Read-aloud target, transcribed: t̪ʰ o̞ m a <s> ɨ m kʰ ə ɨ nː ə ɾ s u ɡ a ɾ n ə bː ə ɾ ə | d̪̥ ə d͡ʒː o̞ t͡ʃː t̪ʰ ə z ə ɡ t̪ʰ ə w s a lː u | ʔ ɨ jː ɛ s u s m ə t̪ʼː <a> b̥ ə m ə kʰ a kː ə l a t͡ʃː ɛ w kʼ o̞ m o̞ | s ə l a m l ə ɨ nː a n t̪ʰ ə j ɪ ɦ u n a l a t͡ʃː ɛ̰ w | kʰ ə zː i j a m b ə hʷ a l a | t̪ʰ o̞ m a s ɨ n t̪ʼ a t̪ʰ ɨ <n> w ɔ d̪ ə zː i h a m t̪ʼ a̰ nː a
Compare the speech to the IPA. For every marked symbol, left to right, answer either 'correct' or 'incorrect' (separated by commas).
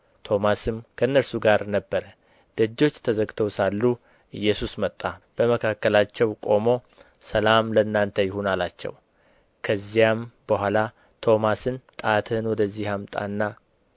correct, correct, correct